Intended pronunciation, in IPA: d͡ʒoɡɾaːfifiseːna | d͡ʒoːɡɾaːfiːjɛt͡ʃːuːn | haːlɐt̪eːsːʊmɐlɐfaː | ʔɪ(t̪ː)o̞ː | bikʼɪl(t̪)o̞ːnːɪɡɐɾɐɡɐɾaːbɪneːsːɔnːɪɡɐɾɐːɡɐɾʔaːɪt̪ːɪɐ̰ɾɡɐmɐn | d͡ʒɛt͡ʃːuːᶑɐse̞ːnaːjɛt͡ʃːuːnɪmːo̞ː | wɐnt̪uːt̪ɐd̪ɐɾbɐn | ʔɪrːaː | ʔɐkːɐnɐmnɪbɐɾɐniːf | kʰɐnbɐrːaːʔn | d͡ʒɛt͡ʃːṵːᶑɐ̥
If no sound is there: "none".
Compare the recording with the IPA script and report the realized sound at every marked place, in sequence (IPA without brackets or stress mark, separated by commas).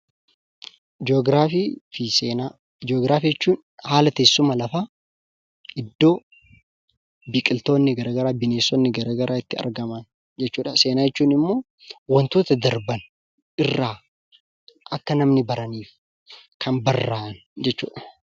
d̪ː, t̪